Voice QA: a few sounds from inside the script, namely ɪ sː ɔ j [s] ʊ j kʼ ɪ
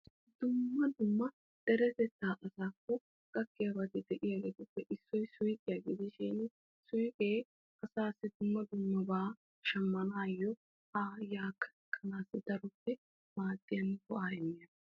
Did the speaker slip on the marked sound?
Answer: no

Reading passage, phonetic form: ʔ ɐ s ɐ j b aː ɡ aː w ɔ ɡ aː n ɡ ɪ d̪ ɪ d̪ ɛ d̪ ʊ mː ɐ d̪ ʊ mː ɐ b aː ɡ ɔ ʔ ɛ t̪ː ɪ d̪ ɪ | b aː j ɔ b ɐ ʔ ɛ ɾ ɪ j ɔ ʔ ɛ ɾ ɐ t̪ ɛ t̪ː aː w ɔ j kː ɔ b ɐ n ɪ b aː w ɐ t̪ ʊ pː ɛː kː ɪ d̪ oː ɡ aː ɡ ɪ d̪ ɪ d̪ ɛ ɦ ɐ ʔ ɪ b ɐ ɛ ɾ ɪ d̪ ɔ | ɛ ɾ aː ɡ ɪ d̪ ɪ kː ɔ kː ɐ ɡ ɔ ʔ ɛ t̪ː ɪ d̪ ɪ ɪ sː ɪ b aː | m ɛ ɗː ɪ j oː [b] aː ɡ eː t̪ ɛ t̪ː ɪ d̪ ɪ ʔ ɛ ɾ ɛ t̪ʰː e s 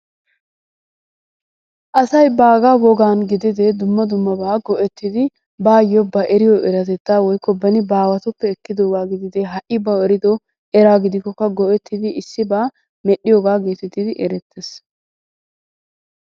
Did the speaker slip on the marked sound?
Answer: yes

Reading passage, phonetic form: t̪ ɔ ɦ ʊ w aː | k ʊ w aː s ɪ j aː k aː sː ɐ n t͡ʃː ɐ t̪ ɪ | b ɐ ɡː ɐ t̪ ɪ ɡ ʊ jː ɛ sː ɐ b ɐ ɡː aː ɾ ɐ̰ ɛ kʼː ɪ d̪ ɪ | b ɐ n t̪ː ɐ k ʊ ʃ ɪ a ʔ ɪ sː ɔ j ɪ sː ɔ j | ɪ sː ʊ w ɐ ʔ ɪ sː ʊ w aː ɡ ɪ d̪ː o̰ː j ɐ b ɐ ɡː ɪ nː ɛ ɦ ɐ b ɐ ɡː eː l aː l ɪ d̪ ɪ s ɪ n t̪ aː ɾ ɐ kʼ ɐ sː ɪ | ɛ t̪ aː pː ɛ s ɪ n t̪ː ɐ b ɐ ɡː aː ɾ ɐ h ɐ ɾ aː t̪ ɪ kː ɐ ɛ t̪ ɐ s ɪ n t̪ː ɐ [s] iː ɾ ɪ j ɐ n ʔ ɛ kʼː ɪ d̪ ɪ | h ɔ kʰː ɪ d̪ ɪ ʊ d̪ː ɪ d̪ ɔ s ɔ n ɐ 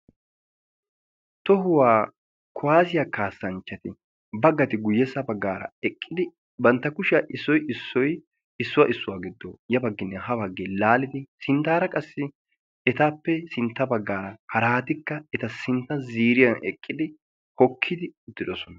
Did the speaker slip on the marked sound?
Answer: yes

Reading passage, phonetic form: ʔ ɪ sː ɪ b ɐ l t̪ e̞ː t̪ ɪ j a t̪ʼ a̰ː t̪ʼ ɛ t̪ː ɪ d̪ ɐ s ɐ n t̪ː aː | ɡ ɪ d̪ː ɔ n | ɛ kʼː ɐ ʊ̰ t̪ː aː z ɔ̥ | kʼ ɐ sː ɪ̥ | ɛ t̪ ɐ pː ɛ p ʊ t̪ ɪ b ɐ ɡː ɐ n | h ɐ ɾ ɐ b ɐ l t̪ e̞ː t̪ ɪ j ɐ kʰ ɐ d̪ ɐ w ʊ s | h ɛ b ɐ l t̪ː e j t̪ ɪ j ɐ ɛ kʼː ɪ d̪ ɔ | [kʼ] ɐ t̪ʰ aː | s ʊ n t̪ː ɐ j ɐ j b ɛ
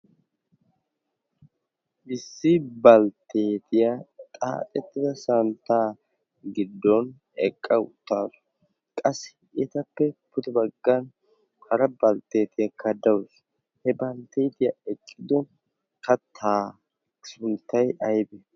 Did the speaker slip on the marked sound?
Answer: yes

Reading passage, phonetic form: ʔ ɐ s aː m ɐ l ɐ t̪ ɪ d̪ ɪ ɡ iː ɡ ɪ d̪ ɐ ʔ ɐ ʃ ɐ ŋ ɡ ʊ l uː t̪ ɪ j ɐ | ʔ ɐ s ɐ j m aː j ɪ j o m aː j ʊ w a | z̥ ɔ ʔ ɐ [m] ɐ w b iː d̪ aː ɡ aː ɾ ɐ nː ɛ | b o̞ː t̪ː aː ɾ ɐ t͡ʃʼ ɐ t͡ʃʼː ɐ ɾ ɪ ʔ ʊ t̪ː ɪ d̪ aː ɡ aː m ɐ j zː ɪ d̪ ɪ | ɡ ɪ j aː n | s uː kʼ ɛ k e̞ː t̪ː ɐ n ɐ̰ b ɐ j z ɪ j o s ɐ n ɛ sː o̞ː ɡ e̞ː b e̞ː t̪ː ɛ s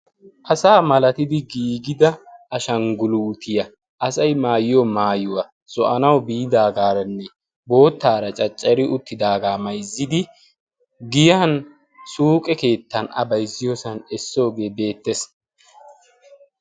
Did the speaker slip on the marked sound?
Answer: yes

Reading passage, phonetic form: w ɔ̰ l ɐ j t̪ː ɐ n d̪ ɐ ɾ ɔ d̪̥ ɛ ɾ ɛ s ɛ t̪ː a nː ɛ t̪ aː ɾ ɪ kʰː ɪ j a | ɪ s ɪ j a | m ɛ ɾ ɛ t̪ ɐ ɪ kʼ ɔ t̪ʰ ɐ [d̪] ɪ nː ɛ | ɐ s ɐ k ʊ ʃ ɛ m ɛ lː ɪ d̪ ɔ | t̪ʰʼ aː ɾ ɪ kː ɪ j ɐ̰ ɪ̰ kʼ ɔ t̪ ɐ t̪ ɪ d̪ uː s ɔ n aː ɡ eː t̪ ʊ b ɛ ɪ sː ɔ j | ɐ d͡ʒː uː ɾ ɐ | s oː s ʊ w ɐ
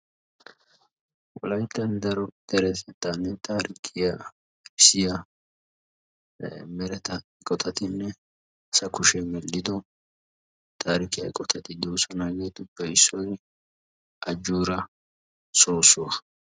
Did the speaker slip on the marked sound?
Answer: yes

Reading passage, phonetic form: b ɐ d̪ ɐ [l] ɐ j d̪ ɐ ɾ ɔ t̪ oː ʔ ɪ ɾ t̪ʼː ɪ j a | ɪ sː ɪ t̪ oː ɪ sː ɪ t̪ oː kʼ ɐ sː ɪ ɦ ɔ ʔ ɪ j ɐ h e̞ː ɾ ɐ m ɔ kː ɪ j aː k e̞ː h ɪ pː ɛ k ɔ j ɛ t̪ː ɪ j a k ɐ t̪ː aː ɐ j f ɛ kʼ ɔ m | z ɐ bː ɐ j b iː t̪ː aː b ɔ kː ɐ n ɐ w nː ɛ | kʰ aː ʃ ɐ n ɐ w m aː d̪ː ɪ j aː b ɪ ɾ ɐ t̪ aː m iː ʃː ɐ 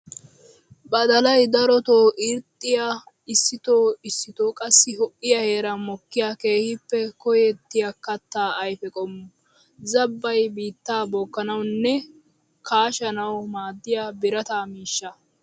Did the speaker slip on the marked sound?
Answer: no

